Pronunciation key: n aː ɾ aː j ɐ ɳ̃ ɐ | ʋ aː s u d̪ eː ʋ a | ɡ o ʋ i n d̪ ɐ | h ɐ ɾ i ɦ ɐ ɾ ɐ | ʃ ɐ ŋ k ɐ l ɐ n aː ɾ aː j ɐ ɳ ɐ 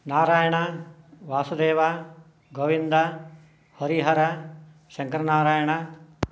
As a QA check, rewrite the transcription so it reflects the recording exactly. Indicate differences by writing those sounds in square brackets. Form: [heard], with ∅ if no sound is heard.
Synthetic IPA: n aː ɾ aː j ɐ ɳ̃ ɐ | ʋ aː s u d̪ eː ʋ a | ɡ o ʋ i n d̪ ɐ | h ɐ ɾ i ɦ ɐ ɾ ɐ | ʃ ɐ ŋ k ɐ [ɾ] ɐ n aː ɾ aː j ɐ ɳ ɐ